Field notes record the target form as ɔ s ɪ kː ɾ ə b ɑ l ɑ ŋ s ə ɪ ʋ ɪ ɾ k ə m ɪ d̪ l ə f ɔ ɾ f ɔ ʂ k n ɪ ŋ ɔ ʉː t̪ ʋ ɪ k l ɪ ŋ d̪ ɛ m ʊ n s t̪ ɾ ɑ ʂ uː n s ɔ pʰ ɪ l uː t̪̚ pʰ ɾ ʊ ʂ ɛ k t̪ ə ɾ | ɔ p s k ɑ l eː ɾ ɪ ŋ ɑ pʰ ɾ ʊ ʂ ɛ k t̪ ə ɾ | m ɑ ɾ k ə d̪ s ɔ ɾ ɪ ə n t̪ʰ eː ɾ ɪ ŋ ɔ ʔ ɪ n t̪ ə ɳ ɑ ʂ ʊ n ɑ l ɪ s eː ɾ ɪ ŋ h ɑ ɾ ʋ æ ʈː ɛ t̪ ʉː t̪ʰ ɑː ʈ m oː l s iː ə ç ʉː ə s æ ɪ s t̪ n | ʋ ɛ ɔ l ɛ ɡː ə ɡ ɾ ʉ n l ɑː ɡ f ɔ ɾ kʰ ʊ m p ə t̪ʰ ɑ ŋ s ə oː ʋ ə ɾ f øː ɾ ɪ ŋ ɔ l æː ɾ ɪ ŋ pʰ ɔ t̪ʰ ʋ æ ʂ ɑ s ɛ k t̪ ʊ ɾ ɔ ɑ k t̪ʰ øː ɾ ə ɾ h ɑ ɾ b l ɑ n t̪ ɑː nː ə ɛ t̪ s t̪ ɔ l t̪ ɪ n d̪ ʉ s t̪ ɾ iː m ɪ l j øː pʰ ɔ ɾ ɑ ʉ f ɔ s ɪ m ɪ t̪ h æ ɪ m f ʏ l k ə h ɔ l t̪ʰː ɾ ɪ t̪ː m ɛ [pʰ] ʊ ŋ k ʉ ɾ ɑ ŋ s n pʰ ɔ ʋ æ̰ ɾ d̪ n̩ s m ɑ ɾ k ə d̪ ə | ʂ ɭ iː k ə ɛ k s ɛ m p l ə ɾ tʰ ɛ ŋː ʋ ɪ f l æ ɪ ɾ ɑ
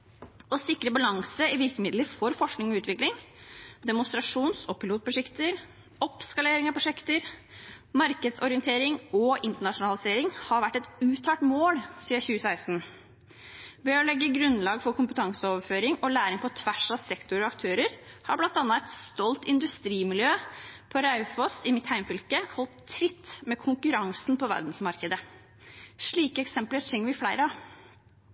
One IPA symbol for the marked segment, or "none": kʰ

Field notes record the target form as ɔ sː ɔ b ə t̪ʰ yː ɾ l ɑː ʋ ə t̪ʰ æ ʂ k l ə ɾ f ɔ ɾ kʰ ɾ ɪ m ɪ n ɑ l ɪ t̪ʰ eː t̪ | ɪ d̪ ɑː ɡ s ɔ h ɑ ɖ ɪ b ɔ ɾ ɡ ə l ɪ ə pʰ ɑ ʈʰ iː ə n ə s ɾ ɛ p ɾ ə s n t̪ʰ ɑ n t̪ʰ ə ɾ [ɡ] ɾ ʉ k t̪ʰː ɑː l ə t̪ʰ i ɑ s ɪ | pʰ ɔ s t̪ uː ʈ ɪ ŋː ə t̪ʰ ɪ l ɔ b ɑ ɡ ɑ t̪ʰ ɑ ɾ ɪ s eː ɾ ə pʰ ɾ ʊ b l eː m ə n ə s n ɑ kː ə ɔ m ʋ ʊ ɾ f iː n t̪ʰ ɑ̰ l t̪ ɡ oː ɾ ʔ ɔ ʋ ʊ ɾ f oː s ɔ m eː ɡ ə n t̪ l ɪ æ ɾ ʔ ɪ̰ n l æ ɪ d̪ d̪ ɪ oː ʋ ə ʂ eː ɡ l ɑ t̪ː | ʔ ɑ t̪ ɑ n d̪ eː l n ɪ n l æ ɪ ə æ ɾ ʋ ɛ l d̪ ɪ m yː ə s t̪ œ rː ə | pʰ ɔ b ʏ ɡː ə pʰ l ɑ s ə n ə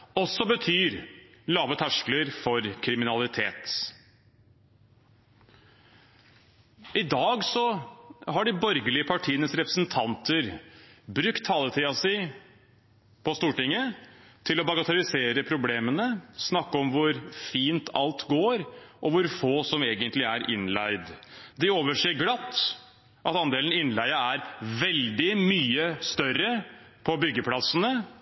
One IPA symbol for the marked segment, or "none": b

